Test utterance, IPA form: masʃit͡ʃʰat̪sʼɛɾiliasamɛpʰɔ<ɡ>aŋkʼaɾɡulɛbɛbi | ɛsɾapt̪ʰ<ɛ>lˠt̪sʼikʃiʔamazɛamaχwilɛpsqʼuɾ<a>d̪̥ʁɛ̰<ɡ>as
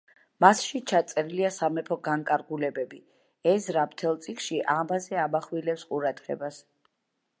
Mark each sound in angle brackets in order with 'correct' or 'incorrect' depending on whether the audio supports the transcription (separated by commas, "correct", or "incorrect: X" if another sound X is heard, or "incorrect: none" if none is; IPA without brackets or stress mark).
correct, correct, correct, incorrect: b